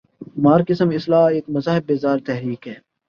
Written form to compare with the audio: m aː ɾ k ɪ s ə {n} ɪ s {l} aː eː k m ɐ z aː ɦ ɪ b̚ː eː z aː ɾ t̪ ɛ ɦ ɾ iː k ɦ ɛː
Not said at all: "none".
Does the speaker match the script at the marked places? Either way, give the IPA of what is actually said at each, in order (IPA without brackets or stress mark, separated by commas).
m, l